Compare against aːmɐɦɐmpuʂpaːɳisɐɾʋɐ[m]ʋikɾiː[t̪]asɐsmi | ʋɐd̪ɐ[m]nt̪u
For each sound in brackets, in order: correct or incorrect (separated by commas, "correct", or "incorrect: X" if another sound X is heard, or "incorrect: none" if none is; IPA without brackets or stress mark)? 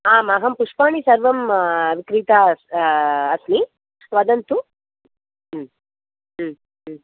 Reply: correct, correct, incorrect: none